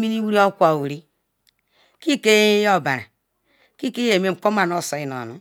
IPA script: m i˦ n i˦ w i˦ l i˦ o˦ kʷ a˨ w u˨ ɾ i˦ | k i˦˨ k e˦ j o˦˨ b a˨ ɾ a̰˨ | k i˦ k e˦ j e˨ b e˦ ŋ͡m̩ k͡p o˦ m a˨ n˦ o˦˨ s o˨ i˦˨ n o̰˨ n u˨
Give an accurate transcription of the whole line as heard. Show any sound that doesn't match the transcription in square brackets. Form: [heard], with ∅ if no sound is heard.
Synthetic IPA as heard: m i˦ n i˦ w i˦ [ɾ] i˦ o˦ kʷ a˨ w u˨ ɾ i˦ | k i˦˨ k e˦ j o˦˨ b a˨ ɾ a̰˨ | k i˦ k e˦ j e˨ [m] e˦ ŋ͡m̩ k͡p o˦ m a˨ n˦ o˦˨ s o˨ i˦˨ n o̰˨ n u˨